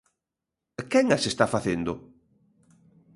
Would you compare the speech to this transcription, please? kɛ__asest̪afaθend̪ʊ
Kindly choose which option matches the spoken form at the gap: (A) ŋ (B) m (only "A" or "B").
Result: A